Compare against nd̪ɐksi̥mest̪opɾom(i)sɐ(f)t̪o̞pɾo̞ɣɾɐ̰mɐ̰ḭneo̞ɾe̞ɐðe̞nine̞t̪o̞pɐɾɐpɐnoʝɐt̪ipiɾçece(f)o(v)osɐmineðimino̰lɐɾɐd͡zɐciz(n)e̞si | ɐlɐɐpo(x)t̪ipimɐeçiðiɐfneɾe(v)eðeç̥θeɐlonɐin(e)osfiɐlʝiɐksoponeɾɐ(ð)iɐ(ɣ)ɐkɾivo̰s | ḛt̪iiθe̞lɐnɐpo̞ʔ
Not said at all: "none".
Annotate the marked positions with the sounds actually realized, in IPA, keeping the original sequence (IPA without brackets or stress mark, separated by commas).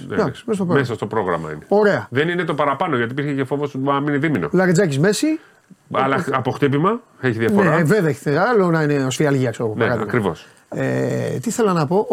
e, s, f, v, m, x, v, e, ð, ɣ